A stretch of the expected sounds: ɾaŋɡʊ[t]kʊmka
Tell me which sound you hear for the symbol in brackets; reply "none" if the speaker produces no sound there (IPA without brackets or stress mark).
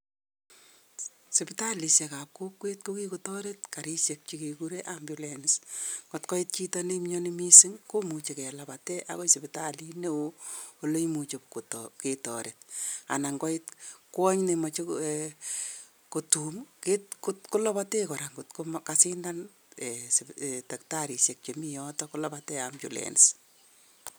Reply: t